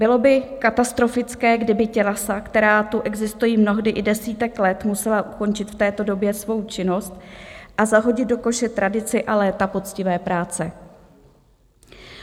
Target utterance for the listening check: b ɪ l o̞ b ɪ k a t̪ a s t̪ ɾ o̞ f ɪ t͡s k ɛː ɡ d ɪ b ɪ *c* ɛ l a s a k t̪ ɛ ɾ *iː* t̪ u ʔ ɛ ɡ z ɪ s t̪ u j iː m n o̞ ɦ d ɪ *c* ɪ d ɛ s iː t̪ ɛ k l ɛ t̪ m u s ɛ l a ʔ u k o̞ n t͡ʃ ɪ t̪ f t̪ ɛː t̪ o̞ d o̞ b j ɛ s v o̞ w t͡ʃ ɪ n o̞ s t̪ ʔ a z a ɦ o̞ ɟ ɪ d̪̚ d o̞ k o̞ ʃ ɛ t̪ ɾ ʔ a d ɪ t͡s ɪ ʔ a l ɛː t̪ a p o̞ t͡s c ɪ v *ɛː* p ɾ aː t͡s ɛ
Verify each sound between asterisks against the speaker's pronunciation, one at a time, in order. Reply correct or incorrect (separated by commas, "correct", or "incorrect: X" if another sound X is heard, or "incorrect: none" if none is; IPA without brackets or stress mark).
correct, incorrect: aː, incorrect: ʔ, correct